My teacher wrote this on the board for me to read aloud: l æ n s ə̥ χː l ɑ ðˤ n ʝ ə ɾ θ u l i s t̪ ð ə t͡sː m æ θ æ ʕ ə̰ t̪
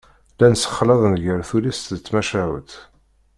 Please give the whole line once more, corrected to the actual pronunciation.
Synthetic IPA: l æ n s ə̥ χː l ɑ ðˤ n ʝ ə ɾ θ u l i s t̪ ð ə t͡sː m æ ʃ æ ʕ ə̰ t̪